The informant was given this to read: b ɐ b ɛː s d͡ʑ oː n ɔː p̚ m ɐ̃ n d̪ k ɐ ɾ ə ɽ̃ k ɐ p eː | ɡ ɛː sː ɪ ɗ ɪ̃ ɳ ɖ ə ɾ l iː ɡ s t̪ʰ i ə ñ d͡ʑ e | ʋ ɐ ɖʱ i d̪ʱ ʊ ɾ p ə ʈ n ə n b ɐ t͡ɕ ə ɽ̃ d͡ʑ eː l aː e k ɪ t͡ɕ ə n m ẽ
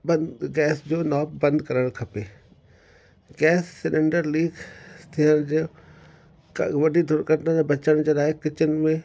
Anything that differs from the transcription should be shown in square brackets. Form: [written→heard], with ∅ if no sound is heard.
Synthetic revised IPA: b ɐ [b→ɡ] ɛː s d͡ʑ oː n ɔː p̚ [m→b] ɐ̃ n d̪ k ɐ ɾ ə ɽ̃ [k→kʰ] ɐ p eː | ɡ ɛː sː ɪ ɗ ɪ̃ ɳ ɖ ə ɾ l iː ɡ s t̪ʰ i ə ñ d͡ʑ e | ʋ ɐ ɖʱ i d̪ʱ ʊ ɾ [p→k] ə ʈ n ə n b ɐ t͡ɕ ə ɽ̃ d͡ʑ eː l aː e k ɪ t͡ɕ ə n m ẽ